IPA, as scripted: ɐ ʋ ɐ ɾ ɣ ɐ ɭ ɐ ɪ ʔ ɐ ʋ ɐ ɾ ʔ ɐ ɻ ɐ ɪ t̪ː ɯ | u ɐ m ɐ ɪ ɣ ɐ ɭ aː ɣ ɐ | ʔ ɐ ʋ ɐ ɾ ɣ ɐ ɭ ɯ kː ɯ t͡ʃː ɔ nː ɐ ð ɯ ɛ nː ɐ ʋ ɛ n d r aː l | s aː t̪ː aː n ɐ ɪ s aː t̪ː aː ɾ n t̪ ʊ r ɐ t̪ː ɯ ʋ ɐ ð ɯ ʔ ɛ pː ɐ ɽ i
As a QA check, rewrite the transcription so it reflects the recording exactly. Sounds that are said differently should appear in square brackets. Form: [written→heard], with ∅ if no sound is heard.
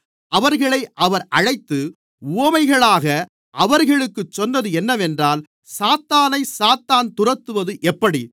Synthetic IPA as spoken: ɐ ʋ ɐ ɾ ɣ ɐ ɭ ɐ ɪ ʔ ɐ ʋ ɐ ɾ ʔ ɐ ɻ ɐ ɪ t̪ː ɯ | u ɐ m ɐ ɪ ɣ ɐ ɭ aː ɣ ɐ | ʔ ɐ ʋ ɐ ɾ ɣ ɐ ɭ ɯ kː ɯ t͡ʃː ɔ nː ɐ ð ɯ ɛ nː ɐ ʋ ɛ n d r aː l | s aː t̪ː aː n ɐ ɪ s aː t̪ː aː [ɾ→∅] n t̪ ʊ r ɐ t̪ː ɯ ʋ ɐ ð ɯ ʔ ɛ pː ɐ ɽ i

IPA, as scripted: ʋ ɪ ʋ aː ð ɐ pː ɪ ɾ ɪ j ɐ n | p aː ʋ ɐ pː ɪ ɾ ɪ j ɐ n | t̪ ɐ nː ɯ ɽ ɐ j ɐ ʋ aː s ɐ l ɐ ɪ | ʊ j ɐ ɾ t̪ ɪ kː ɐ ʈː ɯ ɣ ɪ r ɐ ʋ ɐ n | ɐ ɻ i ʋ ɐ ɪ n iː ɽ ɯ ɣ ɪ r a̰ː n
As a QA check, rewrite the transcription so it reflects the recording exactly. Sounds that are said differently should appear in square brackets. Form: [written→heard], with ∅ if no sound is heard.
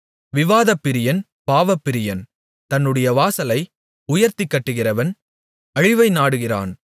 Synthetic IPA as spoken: ʋ ɪ ʋ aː ð ɐ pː ɪ ɾ ɪ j ɐ n | p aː ʋ ɐ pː ɪ ɾ ɪ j ɐ n | t̪ ɐ nː ɯ ɽ ɐ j ɐ ʋ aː s ɐ l ɐ ɪ | ʊ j ɐ ɾ t̪ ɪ kː ɐ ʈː ɯ ɣ ɪ r ɐ ʋ ɐ n | ɐ ɻ [i→ɪ] ʋ ɐ ɪ n [iː→aː] ɽ ɯ ɣ ɪ r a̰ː n

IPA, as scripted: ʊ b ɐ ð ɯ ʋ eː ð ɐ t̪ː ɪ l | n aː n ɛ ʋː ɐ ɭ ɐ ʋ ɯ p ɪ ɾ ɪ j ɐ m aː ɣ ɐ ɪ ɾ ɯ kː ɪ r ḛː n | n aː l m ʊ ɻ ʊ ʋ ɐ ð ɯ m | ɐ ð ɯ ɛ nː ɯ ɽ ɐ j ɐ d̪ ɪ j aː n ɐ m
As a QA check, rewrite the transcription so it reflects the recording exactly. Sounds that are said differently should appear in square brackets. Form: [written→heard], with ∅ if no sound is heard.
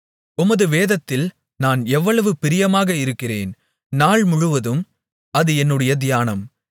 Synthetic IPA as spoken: ʊ [b→m] ɐ ð ɯ ʋ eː ð ɐ t̪ː ɪ l | n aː n ɛ ʋː ɐ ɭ ɐ ʋ ɯ p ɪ ɾ ɪ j ɐ m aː ɣ ɐ ɪ ɾ ɯ kː ɪ r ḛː n | n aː [l→ɭ] m ʊ ɻ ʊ ʋ ɐ ð ɯ m | ɐ ð ɯ ɛ nː ɯ ɽ ɐ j ɐ d̪ ɪ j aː n ɐ m

